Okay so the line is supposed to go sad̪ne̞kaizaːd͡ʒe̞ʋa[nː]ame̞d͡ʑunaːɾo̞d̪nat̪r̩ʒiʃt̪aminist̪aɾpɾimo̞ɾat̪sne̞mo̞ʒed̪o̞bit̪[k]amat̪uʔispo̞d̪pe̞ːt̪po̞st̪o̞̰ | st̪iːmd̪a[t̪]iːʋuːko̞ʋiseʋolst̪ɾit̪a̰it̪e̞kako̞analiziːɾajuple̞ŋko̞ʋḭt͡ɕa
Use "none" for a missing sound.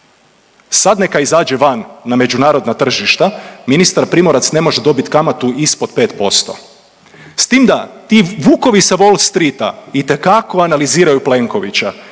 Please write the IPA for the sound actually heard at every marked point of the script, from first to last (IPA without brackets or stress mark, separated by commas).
nː, k, t̪